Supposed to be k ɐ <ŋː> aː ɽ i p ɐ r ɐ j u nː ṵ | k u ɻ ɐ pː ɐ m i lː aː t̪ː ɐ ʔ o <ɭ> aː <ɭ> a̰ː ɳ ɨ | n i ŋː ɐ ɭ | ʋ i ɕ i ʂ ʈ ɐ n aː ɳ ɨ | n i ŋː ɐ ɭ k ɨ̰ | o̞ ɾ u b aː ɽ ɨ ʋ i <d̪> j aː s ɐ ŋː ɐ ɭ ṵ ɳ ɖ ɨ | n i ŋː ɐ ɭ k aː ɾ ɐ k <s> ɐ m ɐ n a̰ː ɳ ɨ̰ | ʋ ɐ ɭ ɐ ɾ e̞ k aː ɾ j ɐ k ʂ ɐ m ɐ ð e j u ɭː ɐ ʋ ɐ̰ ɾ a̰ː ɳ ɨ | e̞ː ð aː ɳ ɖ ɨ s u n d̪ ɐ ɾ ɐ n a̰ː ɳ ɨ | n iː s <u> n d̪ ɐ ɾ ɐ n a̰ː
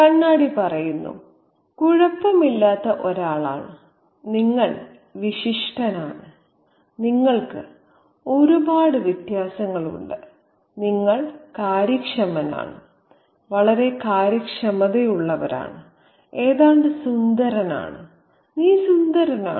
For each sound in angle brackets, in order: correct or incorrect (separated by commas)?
incorrect, incorrect, correct, incorrect, incorrect, correct